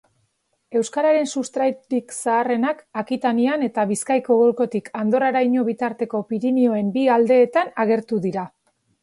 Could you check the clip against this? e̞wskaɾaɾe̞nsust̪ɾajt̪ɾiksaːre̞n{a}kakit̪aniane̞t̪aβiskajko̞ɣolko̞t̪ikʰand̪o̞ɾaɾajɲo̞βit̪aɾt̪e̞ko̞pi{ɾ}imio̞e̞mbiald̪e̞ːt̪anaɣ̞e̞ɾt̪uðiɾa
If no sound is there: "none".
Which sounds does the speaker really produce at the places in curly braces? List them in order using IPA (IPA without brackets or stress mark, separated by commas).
a, ɾ